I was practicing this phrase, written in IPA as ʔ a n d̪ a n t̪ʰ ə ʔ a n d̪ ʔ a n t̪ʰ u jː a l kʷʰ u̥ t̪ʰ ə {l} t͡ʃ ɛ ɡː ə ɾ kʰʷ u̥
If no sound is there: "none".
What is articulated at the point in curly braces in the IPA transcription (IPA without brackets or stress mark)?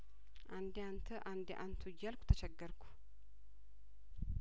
none